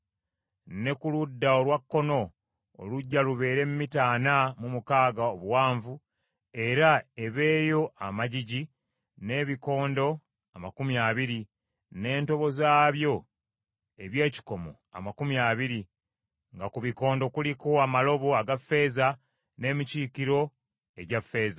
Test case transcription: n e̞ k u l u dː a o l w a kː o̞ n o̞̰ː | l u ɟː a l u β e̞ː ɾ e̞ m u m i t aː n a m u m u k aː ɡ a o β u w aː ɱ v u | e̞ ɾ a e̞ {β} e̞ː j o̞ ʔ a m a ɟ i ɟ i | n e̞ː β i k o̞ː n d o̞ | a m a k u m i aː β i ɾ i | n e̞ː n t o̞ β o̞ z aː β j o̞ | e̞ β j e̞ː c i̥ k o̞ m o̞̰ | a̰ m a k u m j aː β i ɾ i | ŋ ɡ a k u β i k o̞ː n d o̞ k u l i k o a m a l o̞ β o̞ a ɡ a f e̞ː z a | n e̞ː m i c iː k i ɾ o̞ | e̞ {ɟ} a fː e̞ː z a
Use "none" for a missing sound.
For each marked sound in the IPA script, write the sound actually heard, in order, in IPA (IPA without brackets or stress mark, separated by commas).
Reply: β, ɟ